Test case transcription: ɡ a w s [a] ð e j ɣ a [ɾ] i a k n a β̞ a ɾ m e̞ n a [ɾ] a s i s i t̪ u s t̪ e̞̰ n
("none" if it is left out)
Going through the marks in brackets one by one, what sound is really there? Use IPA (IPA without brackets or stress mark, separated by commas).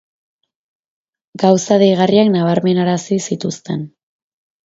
a, r, ɾ